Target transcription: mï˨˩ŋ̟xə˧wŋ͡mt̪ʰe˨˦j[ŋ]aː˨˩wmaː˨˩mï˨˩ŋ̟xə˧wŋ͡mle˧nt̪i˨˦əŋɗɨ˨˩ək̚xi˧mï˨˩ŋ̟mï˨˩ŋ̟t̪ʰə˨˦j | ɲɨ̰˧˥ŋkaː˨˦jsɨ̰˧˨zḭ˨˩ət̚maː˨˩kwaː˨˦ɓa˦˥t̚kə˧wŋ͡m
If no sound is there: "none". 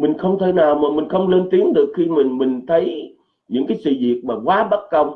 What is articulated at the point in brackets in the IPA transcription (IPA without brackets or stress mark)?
n